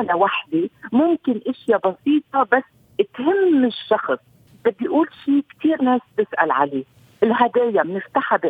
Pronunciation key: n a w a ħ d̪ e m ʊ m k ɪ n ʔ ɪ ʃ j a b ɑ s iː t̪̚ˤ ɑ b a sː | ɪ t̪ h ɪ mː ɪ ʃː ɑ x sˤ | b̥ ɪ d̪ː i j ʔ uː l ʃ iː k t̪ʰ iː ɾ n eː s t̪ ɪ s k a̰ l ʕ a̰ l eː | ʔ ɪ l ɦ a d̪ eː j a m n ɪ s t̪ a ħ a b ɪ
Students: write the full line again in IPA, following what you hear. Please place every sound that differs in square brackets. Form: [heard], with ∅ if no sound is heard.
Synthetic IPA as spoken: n a w a ħ d̪ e m ʊ m k ɪ n ʔ ɪ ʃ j a b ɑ s iː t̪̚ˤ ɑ b a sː | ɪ t̪ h ɪ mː ɪ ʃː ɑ x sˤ | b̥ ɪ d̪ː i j ʔ uː l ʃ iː k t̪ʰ iː ɾ n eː s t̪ ɪ s [ʔ] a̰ l ʕ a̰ l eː | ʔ ɪ l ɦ a d̪ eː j a m n ɪ [f] t̪ a ħ a b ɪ